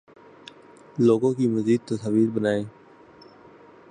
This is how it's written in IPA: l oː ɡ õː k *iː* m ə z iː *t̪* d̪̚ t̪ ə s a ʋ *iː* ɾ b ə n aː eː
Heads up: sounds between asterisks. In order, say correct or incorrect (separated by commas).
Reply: correct, incorrect, correct